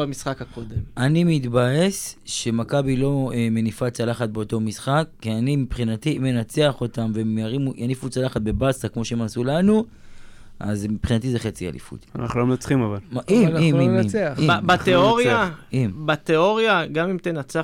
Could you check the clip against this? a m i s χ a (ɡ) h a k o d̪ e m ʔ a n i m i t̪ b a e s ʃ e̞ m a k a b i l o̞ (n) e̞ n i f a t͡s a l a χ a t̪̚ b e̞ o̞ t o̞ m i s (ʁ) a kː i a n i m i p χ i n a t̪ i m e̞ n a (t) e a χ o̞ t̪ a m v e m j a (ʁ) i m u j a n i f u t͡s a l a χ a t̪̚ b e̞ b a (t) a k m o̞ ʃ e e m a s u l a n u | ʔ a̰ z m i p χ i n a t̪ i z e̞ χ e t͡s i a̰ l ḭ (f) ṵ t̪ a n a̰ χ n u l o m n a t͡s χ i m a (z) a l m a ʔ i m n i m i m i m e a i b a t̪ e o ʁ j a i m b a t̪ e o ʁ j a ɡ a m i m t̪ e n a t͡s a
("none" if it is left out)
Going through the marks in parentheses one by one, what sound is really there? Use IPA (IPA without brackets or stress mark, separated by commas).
k, m, χ, t͡s, ʁ, s, f, v